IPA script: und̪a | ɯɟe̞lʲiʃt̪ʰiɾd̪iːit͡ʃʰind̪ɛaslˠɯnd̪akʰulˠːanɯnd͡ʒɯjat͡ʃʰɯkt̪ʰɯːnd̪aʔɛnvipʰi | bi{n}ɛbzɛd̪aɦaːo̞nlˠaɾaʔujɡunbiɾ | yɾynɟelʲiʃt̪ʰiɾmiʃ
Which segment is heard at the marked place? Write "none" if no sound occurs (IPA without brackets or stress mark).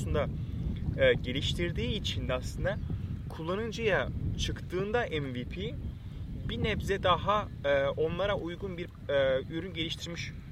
n